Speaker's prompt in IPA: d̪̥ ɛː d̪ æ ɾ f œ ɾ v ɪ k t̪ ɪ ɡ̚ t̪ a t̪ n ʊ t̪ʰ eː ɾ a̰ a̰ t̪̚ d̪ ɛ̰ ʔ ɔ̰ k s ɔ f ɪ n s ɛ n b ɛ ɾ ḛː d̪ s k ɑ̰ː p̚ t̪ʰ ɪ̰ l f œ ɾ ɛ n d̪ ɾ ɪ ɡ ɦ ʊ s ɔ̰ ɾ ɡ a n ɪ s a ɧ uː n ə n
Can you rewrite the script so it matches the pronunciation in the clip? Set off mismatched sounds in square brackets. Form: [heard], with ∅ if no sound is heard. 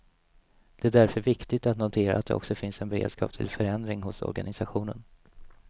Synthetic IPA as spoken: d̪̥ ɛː d̪ æ ɾ f œ ɾ v ɪ k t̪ ɪ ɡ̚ t̪ a t̪ n ʊ t̪ʰ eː ɾ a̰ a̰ t̪̚ d̪ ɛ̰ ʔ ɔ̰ k s ɔ f ɪ n s ɛ n b ɛ ɾ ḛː d̪ s k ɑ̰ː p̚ t̪ʰ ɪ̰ l f œ ɾ ɛ n d̪ ɾ ɪ [ŋ] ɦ ʊ s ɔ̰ ɾ ɡ a n ɪ s a ɧ uː n ə n

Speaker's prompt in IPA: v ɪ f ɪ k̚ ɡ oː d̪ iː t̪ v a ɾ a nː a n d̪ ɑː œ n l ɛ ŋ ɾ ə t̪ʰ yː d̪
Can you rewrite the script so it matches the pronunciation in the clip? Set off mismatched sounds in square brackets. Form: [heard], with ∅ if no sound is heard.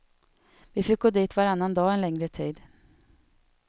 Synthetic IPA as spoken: v ɪ f ɪ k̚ ɡ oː d̪ iː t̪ v a ɾ a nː a n d̪ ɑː [ɛ] n l ɛ ŋ ɾ ə t̪ʰ [iː] d̪

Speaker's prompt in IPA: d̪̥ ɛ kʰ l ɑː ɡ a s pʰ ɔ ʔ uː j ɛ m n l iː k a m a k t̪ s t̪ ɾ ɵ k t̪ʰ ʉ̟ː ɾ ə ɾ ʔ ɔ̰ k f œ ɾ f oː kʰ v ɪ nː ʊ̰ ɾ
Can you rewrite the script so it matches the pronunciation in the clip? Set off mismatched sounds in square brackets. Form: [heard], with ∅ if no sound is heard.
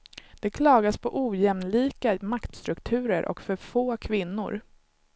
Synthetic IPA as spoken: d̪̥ ɛ kʰ l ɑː ɡ a s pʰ ɔ ʔ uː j ɛ m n l iː k a m a k t̪ s t̪ ɾ ɵ k t̪ʰ ʉ̟ː ɾ ə ɾ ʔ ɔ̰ k f œ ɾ f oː kʰ v ɪ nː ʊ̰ ɾ

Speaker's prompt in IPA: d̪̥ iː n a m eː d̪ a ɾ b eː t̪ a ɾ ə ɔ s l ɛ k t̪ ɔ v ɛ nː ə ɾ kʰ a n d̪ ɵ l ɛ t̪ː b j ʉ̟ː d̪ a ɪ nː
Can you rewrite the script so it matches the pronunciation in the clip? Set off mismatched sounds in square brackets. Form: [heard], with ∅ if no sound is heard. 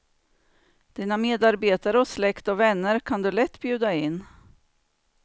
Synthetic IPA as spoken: d̪̥ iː n a m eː d̪ a ɾ b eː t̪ a ɾ ə ɔ s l ɛ k t̪ ɔ v ɛ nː ə ɾ kʰ a n d̪ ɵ l ɛ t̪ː b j ʉ̟ː d̪ a ɪ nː

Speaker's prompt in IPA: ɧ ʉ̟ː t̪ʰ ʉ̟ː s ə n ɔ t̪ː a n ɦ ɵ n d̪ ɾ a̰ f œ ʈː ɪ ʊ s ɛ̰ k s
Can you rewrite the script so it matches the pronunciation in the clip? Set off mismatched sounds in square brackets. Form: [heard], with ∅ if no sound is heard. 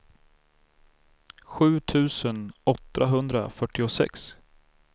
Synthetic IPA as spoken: ɧ ʉ̟ː t̪ʰ ʉ̟ː s ə n ɔ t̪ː a [∅] ɦ ɵ n d̪ ɾ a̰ f œ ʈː ɪ ʊ s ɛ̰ k s

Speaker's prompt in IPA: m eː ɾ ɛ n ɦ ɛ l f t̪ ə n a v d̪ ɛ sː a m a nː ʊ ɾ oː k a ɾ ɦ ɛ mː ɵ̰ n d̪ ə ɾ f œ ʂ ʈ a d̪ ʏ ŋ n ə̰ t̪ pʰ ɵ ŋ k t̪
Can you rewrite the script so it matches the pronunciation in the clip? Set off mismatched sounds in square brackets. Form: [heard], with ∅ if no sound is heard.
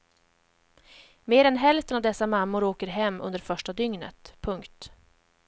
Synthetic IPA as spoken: m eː ɾ ɛ n ɦ ɛ l f t̪ ə n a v d̪ ɛ sː a m a [mː] ʊ ɾ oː k [ə] ɾ ɦ ɛ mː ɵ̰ n d̪ ə ɾ f œ ʂ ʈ a d̪ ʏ ŋ n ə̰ t̪ pʰ ɵ ŋ k t̪

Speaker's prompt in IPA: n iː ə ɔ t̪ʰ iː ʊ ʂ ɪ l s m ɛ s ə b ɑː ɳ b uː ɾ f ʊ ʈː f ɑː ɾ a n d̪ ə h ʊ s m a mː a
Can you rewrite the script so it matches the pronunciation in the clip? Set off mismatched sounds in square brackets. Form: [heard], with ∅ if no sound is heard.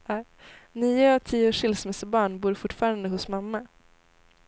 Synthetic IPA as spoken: n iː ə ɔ t̪ʰ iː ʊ ʂ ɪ l s m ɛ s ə b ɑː ɳ b uː ɾ f ʊ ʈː f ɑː ɾ a n d̪ ə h ʊ s m a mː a

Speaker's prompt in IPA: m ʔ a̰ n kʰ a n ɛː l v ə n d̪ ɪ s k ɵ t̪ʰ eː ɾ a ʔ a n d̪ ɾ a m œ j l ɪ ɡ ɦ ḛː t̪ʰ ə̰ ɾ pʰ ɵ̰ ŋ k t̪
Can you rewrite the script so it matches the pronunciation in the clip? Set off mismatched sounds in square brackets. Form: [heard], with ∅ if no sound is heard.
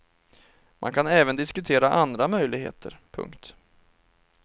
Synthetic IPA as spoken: m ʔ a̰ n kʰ a n ɛː [∅] v ə n d̪ ɪ s k ɵ t̪ʰ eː ɾ a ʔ a n d̪ ɾ a m œ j l ɪ ɡ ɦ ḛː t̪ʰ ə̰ ɾ pʰ ɵ̰ ŋ k t̪

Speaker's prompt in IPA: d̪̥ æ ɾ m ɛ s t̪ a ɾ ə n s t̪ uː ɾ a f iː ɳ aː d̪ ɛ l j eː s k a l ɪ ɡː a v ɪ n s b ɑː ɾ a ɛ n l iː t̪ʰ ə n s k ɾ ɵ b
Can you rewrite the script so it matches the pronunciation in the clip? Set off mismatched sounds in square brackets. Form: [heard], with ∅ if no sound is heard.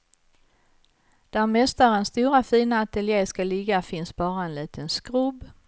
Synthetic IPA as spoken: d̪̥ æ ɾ m ɛ s t̪ a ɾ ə n s t̪ uː ɾ a f iː [n] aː [t̪] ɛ l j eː s k a l ɪ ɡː a [f] ɪ n s b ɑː ɾ a ɛ n l iː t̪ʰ ə n s k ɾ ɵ b

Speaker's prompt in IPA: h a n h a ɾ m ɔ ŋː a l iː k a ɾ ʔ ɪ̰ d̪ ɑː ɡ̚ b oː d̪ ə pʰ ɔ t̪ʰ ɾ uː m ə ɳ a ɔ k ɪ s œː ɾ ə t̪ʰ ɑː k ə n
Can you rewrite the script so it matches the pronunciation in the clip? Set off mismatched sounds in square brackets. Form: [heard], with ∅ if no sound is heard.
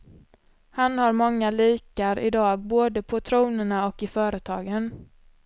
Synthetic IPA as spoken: h a n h a ɾ m ɔ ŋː a l iː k a ɾ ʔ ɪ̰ d̪ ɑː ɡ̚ b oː d̪ ə pʰ ɔ t̪ʰ ɾ uː [n] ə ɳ a ɔ k ɪ [f] œː ɾ ə t̪ʰ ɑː [ɡ] ə n

